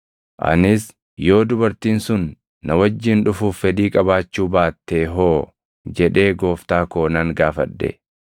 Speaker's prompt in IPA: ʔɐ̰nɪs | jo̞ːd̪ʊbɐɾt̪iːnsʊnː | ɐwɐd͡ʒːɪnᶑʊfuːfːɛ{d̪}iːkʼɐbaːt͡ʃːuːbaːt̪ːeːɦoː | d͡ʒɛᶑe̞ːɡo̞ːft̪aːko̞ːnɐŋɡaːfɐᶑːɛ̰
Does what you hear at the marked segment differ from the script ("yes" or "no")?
no